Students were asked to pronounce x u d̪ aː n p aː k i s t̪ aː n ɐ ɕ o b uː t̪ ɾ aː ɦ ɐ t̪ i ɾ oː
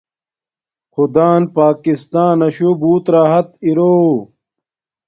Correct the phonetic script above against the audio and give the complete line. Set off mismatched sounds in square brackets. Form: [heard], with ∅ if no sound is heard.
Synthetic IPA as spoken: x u d̪ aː n p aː k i s t̪ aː n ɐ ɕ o b uː t̪ ɾ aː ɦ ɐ t̪ i ɾ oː

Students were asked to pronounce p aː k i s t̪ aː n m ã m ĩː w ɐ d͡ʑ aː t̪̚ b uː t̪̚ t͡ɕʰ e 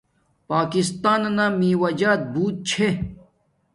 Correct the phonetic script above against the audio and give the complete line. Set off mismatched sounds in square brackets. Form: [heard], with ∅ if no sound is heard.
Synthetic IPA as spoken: p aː k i s t̪ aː n [n] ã m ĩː w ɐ d͡ʑ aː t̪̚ b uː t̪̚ t͡ɕʰ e

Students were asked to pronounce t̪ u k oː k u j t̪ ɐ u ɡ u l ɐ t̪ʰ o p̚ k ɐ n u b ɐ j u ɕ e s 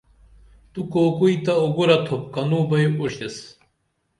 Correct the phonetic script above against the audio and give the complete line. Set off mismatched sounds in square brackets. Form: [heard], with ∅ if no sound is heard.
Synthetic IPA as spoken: t̪ u k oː k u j t̪ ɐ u ɡ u [ɾ] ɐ t̪ʰ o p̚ k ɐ n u b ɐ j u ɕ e s

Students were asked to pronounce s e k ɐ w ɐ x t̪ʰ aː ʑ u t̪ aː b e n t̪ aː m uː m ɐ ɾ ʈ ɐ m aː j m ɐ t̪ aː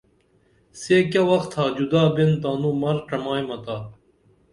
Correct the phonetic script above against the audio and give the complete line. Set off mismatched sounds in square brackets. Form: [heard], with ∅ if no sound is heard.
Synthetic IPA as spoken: s e k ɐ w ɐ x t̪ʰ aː [d͡ʑ] u [d̪] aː b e n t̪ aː [n] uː m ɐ ɾ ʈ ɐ m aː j m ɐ t̪ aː

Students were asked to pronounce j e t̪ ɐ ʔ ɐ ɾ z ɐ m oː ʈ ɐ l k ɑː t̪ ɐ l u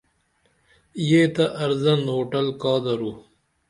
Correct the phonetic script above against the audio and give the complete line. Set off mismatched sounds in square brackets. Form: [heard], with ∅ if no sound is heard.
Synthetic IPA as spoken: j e t̪ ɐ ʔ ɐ ɾ z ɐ [n] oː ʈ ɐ l k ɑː [d̪] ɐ [ɾ] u

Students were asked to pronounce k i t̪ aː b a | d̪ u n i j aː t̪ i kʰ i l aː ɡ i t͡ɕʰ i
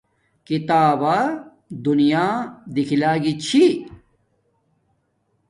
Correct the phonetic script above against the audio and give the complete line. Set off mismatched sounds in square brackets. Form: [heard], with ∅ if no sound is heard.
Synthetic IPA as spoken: k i t̪ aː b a | d̪ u n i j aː [d̪] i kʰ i l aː ɡ i t͡ɕʰ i

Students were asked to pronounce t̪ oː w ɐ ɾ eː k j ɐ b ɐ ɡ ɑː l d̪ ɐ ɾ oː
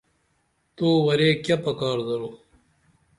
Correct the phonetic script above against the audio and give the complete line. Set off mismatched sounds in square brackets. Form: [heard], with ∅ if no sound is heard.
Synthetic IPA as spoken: t̪ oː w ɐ ɾ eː k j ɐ [p] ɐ [k] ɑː [ɾ] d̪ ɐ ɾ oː

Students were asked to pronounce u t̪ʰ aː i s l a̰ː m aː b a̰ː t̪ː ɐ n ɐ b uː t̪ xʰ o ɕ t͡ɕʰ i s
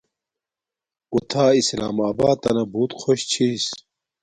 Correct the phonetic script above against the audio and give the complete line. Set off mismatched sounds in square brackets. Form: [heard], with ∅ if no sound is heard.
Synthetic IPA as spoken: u t̪ʰ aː i s l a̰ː m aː b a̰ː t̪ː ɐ n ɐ b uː t̪ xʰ o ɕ t͡ɕʰ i s

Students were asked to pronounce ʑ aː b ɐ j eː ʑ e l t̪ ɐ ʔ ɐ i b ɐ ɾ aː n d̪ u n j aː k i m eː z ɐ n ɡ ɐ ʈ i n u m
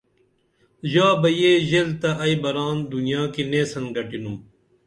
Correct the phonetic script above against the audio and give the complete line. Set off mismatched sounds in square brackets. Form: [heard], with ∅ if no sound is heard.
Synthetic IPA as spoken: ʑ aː b ɐ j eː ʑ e l t̪ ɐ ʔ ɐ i b ɐ ɾ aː n d̪ u n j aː k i [n] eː [s] ɐ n ɡ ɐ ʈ i n u m

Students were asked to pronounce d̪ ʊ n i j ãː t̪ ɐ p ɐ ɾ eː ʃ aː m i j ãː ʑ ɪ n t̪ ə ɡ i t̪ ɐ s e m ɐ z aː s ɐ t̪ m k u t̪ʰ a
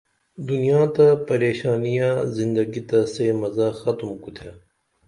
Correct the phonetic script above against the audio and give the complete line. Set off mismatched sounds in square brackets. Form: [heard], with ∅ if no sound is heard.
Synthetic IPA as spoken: d̪ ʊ n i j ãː t̪ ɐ p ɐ ɾ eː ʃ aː [n] i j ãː [z] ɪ n [d̪] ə ɡ i t̪ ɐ s e m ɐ z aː [x] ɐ t̪ m k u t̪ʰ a

